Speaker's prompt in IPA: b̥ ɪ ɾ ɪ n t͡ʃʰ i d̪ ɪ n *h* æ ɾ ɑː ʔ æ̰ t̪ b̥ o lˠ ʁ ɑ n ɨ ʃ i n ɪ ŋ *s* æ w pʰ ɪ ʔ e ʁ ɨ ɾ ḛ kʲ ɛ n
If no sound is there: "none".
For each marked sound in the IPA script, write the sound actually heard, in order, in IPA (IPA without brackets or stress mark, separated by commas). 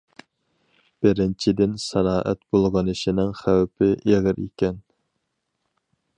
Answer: s, χ